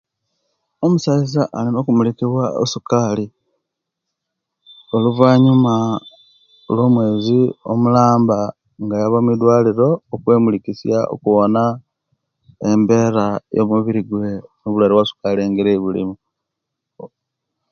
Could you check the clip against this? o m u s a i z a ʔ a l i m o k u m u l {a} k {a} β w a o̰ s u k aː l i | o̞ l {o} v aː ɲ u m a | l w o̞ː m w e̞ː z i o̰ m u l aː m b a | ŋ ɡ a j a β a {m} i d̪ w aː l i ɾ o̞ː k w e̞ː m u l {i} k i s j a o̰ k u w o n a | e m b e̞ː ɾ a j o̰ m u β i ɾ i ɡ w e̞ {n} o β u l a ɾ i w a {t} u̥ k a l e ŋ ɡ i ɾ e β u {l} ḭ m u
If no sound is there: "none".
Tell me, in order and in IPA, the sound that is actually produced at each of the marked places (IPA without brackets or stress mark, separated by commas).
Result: i, i, u, m, i, n, s, l